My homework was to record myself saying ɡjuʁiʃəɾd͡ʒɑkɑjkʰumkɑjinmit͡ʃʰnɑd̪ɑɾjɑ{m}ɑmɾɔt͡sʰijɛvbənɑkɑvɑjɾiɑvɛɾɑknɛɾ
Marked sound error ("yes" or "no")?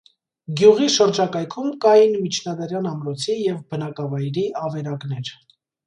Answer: yes